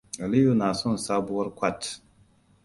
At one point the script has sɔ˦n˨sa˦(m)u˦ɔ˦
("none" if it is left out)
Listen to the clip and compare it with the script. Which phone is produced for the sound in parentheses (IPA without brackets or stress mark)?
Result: b